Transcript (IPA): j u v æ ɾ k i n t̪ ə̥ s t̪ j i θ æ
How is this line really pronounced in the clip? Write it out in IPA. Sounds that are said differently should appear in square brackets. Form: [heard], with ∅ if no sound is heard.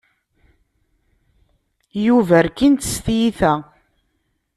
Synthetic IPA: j u v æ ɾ k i n t̪ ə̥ s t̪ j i θ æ